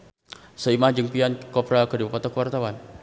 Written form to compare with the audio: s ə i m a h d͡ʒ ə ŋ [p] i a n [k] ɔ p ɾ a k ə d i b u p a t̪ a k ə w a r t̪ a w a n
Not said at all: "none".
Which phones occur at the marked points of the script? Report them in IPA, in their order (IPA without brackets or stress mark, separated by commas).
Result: p, k